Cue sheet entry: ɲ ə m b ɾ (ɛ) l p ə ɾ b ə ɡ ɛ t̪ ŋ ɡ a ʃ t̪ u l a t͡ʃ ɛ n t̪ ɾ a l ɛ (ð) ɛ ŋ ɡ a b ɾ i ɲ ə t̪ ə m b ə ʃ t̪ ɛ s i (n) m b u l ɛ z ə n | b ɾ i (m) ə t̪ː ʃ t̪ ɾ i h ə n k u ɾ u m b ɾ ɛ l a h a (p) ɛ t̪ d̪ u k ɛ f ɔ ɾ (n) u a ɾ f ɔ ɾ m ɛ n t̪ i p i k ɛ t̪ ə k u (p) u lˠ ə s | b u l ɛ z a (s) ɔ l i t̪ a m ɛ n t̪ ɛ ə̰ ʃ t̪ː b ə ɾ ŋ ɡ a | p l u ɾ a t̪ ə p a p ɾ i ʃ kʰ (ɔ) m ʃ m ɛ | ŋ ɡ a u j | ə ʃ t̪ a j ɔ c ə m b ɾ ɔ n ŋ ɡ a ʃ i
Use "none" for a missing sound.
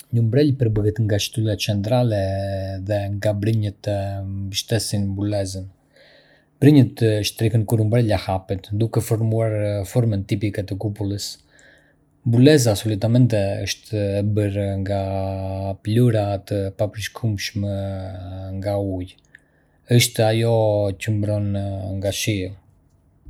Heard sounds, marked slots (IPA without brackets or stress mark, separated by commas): ɛ, ð, n, ɲ, p, m, p, s, u